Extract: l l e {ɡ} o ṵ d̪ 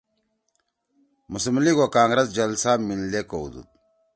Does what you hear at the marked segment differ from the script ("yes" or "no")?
yes